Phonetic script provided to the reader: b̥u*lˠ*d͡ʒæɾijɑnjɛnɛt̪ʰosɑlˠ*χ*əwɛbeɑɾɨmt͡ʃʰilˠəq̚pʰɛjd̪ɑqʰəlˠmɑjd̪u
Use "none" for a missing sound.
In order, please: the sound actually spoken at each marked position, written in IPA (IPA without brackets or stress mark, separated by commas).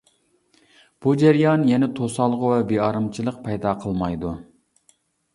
none, ʁ